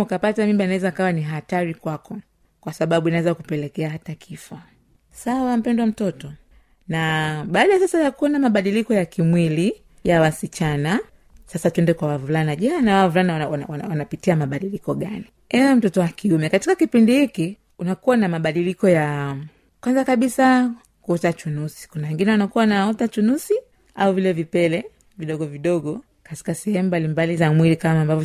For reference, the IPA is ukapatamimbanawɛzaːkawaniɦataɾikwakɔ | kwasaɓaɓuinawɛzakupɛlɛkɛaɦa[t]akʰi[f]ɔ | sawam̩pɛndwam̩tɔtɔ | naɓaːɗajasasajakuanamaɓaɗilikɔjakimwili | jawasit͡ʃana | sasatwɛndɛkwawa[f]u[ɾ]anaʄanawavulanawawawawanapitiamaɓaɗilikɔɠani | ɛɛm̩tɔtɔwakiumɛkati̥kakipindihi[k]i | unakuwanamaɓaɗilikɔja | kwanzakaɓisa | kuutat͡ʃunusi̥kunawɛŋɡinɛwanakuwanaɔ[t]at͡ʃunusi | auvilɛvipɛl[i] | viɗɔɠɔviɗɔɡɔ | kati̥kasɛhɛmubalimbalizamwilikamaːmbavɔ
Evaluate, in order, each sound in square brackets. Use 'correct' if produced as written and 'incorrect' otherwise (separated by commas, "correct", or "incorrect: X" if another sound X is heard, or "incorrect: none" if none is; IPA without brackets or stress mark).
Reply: correct, correct, incorrect: v, incorrect: l, correct, correct, incorrect: ɛ